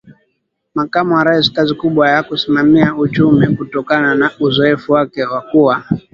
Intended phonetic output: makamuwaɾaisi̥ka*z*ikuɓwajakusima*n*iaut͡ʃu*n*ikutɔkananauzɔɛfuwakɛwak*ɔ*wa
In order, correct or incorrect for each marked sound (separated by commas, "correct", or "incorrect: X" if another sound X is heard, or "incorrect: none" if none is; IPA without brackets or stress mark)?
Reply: correct, incorrect: m, incorrect: m, incorrect: u